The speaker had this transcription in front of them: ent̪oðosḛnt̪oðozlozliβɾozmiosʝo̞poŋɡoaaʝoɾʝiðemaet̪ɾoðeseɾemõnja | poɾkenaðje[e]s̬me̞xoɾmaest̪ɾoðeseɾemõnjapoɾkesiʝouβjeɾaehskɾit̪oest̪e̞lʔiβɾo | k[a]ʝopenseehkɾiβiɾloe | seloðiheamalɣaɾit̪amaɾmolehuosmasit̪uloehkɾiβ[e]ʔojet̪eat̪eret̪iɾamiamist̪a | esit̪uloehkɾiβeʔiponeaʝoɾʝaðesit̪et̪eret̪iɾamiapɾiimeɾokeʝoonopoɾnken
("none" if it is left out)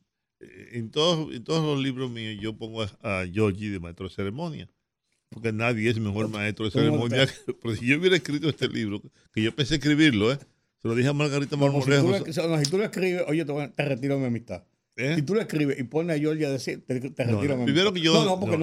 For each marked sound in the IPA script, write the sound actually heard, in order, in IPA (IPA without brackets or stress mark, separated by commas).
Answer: e, e, e